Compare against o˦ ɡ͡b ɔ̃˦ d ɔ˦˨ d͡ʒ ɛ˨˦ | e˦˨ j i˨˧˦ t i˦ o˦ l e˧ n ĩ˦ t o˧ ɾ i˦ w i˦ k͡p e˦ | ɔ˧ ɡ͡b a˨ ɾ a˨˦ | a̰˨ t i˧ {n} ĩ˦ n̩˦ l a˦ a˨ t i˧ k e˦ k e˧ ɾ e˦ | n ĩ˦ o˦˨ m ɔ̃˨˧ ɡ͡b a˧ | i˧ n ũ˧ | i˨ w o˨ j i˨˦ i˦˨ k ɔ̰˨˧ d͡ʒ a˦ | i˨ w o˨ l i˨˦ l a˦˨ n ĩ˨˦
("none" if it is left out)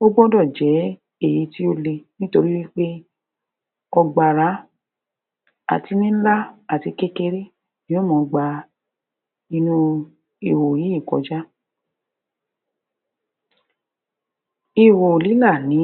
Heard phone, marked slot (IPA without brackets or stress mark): n